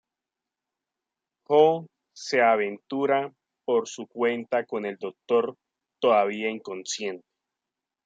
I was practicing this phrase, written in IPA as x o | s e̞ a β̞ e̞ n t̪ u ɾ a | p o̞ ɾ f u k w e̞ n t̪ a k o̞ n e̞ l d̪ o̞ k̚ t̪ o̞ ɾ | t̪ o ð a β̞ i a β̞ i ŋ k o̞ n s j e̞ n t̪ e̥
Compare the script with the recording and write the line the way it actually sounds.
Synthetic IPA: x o | s e̞ a β̞ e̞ n t̪ u ɾ a | p o̞ ɾ s u k w e̞ n t̪ a k o̞ n e̞ l d̪ o̞ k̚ t̪ o̞ ɾ | t̪ o ð a β̞ i a i ŋ k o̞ n s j e̞ n t̪ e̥